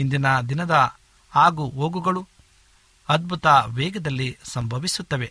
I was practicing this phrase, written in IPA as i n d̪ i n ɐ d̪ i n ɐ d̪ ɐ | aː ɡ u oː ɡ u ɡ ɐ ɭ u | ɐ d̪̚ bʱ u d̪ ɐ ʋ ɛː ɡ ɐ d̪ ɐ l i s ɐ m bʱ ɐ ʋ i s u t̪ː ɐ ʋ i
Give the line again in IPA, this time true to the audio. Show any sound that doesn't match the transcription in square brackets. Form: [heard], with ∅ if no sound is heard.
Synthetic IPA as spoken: i n d̪ i n ɐ d̪ i n ɐ d̪ ɐ | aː ɡ u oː ɡ u ɡ ɐ ɭ u | ɐ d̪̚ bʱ u [t̪] ɐ ʋ ɛː ɡ ɐ d̪ ɐ [lː] i s ɐ m bʱ ɐ ʋ i s u t̪ː ɐ ʋ [e]